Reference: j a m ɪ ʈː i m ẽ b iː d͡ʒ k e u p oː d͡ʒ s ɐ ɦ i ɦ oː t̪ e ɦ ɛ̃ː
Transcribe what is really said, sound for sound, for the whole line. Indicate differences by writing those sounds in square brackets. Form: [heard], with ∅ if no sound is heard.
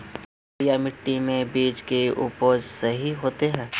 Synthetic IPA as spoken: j a m ɪ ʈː i m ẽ b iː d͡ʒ k e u p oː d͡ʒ s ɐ ɦ i ɦ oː t̪ e ɦ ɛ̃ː